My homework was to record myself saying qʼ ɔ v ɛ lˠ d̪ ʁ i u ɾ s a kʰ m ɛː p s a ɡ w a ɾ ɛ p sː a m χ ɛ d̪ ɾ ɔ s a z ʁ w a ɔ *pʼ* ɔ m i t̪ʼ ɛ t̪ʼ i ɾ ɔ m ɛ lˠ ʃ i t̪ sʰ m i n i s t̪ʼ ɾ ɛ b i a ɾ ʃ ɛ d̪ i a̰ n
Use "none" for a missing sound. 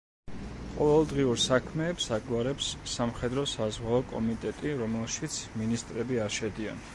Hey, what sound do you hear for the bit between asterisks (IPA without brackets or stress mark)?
kʼ